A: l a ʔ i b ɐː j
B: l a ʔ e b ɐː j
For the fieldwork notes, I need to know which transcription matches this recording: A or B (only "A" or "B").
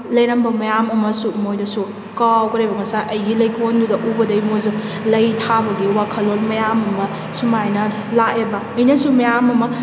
B